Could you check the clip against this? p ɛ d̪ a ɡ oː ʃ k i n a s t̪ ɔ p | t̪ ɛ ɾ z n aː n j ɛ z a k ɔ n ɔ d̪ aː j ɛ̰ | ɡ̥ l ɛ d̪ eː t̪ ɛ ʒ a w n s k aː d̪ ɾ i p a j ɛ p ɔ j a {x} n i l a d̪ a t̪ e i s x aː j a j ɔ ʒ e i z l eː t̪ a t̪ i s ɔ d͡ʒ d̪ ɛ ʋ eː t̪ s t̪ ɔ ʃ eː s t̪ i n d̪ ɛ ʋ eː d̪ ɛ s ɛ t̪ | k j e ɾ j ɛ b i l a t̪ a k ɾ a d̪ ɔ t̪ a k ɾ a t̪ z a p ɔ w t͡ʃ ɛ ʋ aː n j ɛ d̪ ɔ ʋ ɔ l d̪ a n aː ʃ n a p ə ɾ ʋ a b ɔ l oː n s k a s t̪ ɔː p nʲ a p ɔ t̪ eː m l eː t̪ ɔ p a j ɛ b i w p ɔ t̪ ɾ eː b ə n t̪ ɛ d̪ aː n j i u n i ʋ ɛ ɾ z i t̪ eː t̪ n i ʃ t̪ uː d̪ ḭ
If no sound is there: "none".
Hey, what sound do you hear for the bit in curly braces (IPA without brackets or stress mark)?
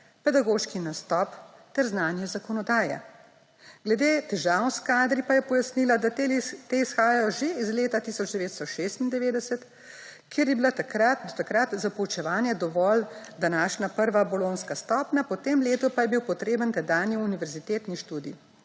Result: s